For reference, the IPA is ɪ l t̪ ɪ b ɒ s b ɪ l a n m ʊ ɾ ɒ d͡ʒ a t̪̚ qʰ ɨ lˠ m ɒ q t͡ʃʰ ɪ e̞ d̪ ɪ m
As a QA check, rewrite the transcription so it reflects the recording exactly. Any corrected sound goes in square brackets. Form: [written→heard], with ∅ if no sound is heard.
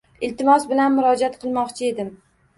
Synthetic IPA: ɪ l t̪ ɪ [b→m] ɒ s b ɪ l a n m ʊ ɾ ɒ d͡ʒ a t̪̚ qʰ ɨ lˠ m ɒ q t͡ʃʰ ɪ e̞ d̪ ɪ m